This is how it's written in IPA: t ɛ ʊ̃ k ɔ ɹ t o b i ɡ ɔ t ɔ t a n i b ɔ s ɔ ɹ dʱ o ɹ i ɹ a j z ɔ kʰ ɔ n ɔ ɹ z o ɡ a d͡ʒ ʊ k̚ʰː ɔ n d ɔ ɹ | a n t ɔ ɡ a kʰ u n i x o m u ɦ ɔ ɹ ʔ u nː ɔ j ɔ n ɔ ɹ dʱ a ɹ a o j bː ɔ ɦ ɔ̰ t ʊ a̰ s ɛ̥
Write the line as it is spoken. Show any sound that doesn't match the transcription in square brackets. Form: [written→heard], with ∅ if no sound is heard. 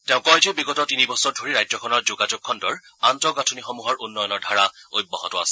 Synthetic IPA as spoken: t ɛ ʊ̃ k ɔ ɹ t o b i ɡ ɔ t ɔ t [a→i] n i b ɔ s ɔ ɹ dʱ o ɹ i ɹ a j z ɔ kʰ ɔ n ɔ ɹ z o ɡ a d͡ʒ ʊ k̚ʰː ɔ n d ɔ ɹ | a n t ɔ ɡ a [kʰ→tʰ] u n i x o m u ɦ ɔ ɹ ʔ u nː ɔ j ɔ n ɔ ɹ dʱ a ɹ a o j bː ɔ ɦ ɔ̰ t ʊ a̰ s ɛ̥